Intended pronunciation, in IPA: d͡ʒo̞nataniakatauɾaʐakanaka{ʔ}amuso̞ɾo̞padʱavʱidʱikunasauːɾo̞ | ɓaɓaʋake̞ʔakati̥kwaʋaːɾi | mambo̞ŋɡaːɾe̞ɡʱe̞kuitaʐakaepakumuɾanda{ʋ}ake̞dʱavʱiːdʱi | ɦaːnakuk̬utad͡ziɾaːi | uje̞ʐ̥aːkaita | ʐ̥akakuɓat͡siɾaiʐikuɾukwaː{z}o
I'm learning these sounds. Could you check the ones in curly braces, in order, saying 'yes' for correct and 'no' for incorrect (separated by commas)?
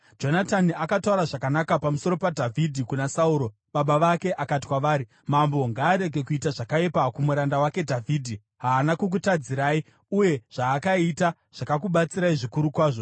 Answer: no, no, no